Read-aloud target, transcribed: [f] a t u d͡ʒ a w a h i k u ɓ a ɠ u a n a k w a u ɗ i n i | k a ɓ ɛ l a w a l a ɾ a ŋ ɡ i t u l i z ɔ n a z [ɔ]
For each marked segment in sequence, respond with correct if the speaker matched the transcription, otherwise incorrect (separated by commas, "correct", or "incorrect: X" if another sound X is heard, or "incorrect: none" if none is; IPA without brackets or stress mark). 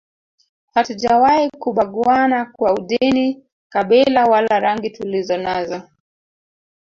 incorrect: h, correct